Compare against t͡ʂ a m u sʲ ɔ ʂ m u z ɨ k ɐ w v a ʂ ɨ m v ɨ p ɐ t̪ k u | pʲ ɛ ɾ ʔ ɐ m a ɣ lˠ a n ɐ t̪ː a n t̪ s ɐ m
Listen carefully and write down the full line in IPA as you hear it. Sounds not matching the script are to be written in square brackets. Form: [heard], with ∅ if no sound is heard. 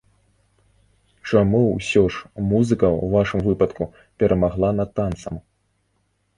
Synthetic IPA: t͡ʂ a m u sʲ ɔ ʂ m u z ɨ k ɐ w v a ʂ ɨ m v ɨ p ɐ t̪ k u | pʲ ɛ ɾ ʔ ɐ m a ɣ lˠ a n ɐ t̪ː a n t̪ s ɐ m